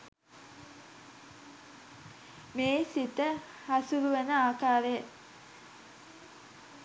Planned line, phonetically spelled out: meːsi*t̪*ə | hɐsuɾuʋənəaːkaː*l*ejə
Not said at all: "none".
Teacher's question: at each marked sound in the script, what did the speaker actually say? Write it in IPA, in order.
t̪, ɾ

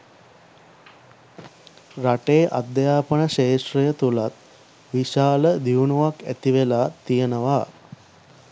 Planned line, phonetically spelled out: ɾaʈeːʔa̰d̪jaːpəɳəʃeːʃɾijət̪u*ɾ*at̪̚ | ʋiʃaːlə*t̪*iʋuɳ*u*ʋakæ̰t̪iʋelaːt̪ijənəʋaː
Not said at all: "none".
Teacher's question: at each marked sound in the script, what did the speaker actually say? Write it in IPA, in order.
l, d̪, u

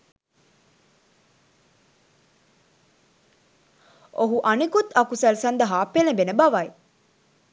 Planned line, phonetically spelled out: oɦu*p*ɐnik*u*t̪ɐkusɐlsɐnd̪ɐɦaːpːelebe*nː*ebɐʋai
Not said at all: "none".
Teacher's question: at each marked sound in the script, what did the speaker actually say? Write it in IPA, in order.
ʔ, u, n

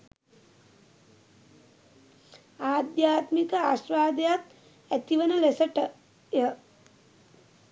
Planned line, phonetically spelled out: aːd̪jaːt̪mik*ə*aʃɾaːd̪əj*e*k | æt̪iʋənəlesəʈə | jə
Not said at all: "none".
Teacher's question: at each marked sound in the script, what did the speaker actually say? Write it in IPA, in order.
ə, a

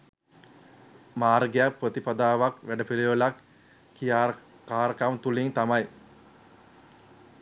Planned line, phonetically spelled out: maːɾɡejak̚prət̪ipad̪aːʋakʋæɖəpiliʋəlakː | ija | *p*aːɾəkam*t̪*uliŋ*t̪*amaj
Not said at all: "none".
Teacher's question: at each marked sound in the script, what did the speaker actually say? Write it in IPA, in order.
k, t̪, t̪

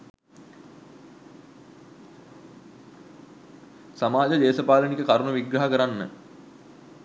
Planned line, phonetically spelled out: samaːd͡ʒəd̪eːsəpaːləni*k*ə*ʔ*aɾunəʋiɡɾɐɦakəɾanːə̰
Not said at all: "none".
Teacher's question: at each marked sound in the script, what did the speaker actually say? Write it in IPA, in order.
k, k

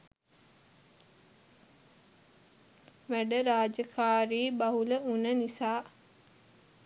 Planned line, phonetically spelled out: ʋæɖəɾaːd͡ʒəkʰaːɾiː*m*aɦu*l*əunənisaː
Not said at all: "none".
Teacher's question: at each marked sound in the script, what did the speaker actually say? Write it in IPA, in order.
b, l

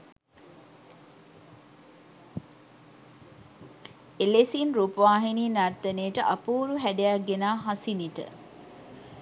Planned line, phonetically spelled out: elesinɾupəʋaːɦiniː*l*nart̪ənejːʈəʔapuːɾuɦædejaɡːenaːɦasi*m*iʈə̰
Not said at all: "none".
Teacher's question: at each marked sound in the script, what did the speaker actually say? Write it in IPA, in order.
none, n

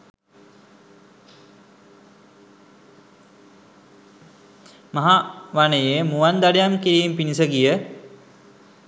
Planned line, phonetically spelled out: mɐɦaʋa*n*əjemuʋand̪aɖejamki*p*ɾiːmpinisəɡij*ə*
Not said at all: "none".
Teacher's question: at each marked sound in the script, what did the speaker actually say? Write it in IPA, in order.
n, none, ə

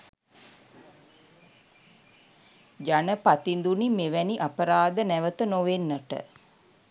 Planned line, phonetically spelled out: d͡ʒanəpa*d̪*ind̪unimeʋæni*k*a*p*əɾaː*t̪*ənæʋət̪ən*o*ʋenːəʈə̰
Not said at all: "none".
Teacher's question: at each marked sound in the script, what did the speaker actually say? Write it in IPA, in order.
t̪, ʔ, p, d̪, o

